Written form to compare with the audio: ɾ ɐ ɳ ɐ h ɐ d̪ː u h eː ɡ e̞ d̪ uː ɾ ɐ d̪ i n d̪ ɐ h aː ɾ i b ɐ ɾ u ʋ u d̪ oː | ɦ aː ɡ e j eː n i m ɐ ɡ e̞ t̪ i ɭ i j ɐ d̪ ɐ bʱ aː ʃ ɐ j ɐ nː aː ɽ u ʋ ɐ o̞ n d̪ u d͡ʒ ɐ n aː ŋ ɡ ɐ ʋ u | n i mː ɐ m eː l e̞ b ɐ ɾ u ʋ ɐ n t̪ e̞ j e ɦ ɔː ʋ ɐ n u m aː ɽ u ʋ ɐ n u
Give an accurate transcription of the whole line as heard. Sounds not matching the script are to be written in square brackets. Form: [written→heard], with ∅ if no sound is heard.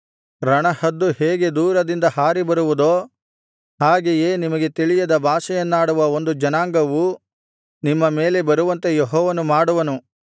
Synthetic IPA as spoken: ɾ ɐ ɳ ɐ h ɐ d̪ː u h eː ɡ e̞ d̪ uː ɾ ɐ d̪ i n d̪ ɐ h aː ɾ i b ɐ ɾ u ʋ u d̪ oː | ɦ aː ɡ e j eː n i m ɐ ɡ e̞ t̪ i ɭ i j ɐ d̪ ɐ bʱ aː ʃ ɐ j ɐ nː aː ɽ u ʋ ɐ o̞ n d̪ u d͡ʒ ɐ n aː ŋ ɡ ɐ ʋ u | n i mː ɐ m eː l e̞ b ɐ ɾ u ʋ ɐ n t̪ e̞ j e ɦ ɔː ʋ ɐ n u m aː ɽ u ʋ ɐ n u